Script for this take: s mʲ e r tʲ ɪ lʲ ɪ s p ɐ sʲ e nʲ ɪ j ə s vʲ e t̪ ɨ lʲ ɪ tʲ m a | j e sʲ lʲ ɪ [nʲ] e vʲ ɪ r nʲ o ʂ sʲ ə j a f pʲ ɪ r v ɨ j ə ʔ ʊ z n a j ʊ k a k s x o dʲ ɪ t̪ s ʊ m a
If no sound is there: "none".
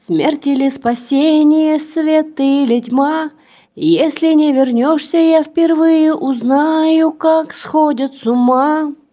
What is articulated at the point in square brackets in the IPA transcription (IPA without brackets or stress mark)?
nʲ